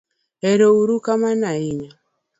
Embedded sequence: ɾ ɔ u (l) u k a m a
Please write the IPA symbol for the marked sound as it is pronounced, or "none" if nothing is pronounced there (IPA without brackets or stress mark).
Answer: ɾ